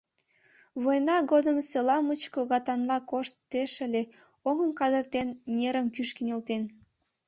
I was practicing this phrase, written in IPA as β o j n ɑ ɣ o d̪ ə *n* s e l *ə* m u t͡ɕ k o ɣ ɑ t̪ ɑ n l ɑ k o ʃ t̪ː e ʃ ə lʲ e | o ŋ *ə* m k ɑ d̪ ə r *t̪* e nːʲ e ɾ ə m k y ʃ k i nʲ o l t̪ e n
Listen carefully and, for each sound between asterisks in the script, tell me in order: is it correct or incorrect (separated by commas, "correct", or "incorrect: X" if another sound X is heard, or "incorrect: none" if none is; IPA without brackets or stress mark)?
incorrect: m, incorrect: ɑ, correct, correct